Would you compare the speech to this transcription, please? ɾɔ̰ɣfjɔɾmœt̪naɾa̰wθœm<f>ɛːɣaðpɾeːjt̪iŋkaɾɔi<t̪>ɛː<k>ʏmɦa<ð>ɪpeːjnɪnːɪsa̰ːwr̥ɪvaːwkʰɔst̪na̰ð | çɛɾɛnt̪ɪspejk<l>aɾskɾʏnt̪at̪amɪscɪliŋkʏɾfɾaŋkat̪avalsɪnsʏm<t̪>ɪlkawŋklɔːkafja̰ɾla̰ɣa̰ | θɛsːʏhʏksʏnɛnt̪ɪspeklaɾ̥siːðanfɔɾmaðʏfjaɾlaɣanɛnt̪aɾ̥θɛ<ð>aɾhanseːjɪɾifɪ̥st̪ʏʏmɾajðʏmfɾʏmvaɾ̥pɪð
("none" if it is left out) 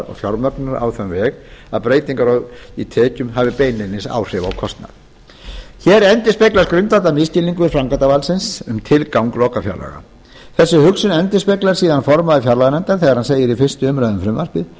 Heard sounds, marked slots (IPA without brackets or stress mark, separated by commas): v, t̪ʰ, c, v, l, t̪ʰ, ɣ